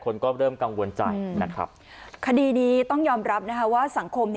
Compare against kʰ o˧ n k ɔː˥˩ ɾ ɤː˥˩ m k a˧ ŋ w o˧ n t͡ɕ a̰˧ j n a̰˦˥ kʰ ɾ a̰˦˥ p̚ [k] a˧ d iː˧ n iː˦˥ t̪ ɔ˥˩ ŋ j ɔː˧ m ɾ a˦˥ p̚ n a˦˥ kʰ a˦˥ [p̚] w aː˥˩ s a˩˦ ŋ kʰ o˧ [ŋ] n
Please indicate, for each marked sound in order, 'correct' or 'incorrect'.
incorrect, incorrect, incorrect

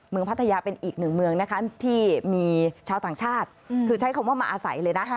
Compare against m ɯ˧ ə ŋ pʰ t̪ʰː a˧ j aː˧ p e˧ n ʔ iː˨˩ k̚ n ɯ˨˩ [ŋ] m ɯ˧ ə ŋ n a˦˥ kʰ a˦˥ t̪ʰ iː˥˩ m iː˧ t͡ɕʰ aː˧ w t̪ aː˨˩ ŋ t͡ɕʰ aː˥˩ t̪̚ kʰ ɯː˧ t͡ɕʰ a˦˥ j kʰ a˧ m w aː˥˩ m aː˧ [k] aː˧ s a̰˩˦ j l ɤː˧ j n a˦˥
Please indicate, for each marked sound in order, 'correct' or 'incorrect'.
correct, incorrect

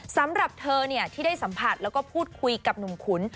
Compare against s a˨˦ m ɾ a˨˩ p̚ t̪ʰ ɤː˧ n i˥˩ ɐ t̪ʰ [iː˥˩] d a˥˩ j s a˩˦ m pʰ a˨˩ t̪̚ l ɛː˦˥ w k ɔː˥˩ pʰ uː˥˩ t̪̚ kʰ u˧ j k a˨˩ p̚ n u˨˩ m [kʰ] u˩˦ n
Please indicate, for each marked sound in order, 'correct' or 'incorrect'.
correct, correct

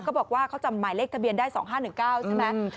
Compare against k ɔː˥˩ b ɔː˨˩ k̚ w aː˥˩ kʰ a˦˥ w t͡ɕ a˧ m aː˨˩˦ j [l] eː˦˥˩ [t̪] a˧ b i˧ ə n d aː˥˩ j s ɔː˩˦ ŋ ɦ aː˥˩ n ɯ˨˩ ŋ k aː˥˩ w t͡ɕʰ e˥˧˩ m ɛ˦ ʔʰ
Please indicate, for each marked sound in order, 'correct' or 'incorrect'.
correct, incorrect

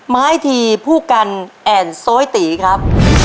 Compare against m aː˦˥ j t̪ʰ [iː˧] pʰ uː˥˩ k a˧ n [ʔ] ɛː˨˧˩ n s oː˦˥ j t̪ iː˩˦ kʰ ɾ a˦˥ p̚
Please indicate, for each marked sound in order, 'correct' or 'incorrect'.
correct, correct

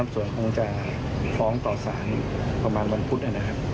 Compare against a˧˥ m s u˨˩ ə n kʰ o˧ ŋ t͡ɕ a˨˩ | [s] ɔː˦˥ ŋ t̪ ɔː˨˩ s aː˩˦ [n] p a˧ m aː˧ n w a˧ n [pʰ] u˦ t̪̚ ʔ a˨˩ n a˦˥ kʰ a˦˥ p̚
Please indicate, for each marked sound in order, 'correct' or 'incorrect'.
incorrect, correct, correct

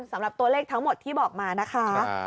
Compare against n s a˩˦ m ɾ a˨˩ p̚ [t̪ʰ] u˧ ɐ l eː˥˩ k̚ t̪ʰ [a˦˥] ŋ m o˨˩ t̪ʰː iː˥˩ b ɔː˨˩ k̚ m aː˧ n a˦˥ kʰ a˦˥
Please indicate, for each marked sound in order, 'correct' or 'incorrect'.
incorrect, correct

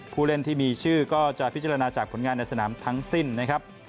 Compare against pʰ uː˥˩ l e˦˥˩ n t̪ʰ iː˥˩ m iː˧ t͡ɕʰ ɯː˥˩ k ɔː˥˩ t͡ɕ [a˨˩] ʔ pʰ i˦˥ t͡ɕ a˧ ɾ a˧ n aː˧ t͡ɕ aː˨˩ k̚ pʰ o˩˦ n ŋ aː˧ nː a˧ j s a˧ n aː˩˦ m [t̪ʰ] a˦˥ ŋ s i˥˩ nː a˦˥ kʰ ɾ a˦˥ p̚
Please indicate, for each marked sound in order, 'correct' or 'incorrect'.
correct, correct

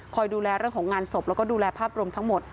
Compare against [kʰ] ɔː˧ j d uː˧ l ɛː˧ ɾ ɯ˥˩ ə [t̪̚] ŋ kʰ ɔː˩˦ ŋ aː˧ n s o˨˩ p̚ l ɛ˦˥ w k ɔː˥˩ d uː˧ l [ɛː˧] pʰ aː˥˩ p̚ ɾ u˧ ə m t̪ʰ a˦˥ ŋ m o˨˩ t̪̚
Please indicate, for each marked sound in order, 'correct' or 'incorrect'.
correct, incorrect, correct

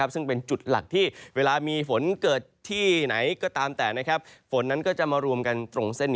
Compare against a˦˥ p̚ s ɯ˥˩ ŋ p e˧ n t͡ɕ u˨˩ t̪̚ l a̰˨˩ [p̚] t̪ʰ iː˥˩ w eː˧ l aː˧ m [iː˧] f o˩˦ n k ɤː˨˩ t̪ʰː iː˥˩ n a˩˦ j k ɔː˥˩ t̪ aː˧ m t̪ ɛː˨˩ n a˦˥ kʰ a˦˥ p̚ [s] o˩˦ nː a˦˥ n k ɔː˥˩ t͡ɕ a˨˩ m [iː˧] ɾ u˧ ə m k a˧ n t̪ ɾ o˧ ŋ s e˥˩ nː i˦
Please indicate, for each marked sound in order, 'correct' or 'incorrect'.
incorrect, correct, incorrect, incorrect

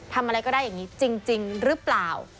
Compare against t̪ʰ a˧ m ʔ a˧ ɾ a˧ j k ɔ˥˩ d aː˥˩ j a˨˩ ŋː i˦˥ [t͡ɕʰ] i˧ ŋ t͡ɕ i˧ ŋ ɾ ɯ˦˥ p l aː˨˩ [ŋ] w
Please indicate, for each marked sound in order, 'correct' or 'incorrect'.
incorrect, incorrect

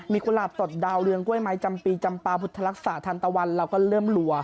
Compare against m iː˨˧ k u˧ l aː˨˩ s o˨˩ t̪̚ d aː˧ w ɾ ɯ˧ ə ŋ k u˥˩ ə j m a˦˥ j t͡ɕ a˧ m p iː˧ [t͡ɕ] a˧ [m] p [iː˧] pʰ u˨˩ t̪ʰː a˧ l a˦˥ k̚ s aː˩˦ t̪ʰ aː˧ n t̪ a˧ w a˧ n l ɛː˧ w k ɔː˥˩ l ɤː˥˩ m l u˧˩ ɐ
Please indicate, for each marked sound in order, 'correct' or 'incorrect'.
correct, correct, incorrect

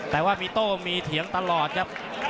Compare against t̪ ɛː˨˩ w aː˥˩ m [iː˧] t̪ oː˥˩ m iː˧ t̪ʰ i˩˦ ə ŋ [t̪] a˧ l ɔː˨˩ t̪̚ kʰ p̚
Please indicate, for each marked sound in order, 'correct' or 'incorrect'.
correct, correct

